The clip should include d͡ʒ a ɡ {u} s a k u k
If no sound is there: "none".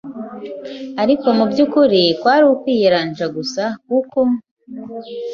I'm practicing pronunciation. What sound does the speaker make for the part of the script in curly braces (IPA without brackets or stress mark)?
u